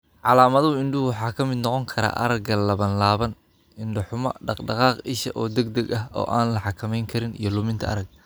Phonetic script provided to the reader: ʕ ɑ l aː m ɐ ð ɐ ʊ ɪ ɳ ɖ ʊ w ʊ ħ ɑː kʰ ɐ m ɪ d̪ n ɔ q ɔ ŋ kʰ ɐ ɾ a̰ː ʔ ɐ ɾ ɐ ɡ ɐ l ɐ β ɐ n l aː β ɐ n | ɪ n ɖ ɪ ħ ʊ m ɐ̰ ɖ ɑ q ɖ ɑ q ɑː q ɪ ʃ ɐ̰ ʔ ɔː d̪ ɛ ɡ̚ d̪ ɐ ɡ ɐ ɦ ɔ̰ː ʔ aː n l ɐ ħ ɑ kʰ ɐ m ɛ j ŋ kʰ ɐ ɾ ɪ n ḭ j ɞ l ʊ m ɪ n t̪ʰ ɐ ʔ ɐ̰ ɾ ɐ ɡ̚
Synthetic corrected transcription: ʕ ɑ l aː m ɐ ð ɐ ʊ ɪ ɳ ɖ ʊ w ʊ ħ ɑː kʰ ɐ m ɪ d̪ n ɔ q ɔ ŋ kʰ ɐ ɾ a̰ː ʔ ɐ ɾ ɐ ɡ ɐ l ɐ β ɐ n l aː β ɐ n | ɪ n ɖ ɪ ħ ʊ m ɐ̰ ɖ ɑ q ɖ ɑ q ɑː q ɪ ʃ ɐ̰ ʔ ɔː d̪ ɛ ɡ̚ d̪ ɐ ɡ ɐ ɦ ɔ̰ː ʔ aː n l ɐ ħ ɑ kʰ ɐ m ɛ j ŋ kʰ ɐ ɾ ɪ n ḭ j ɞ l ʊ m ɪ n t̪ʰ ɐ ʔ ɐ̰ ɾ ɐ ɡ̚